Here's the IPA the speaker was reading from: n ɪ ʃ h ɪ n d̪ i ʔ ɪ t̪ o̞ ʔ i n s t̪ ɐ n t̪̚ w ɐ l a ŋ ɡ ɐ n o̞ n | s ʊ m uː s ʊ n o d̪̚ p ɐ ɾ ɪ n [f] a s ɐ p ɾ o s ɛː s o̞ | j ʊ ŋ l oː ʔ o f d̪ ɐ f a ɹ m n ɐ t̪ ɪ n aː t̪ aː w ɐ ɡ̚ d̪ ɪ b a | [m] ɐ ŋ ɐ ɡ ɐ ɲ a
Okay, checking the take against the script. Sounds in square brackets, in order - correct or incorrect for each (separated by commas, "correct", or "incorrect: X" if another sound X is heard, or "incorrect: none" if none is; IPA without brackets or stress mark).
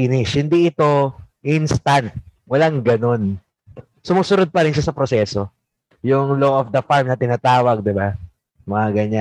incorrect: ʃ, correct